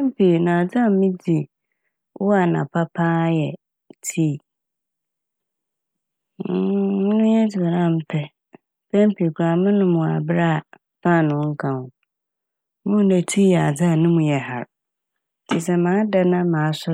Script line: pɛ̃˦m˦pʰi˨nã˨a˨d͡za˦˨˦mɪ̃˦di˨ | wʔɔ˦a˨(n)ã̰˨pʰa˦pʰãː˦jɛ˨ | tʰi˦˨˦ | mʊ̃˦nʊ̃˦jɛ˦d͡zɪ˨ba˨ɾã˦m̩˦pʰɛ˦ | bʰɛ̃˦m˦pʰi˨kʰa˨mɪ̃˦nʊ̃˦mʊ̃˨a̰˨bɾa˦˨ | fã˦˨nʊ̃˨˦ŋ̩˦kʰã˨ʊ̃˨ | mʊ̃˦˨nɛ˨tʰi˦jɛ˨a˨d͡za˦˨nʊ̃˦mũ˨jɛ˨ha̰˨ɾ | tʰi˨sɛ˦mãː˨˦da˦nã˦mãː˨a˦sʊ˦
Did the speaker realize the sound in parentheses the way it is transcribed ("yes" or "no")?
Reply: yes